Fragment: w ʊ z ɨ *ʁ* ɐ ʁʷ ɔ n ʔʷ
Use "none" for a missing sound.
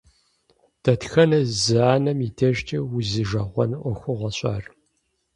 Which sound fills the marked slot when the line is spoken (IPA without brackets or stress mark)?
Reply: ʒ